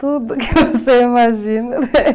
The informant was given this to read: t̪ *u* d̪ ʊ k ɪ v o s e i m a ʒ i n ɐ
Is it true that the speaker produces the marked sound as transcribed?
yes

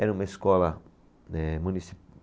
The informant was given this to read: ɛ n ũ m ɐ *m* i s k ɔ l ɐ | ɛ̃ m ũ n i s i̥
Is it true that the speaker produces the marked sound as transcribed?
no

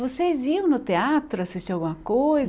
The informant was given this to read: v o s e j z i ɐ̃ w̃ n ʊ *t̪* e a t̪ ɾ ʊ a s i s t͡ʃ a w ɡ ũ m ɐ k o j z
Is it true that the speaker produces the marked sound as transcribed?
yes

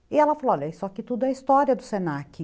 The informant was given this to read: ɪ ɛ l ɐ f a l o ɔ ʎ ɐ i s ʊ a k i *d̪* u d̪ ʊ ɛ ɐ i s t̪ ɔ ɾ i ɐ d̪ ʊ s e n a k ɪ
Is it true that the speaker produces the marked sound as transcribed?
no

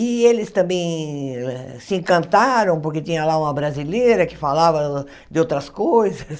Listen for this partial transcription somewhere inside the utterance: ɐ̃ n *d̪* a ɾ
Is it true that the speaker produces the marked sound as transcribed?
no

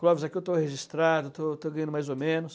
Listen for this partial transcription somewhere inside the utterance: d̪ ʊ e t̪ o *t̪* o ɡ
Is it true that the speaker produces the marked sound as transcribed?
yes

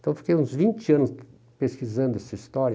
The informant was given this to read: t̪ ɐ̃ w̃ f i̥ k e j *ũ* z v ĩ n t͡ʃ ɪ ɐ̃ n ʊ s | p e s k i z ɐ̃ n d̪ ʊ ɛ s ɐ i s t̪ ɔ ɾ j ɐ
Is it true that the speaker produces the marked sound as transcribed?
yes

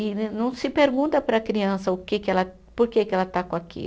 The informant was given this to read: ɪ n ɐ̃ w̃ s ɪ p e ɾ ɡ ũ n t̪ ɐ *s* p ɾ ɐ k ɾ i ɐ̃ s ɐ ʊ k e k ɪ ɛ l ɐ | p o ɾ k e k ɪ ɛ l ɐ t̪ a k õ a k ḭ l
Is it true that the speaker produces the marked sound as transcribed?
no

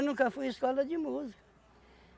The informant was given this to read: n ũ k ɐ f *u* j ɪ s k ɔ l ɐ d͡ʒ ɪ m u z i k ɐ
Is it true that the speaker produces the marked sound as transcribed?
yes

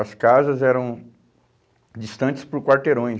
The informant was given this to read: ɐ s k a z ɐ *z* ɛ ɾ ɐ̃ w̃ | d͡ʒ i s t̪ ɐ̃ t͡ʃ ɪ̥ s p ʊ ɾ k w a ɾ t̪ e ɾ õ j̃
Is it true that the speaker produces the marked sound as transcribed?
yes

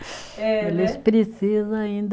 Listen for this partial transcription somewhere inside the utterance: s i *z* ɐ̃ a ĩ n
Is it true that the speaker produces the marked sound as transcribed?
yes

